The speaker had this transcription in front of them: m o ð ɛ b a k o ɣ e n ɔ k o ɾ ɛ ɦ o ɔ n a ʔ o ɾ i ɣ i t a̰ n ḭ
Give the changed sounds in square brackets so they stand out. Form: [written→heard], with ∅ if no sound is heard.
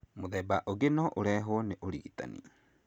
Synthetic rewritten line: m o ð ɛ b a [k→ʔ] o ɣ e n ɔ [k→ʔ] o ɾ ɛ ɦ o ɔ n [a→e] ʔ o ɾ i ɣ i t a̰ n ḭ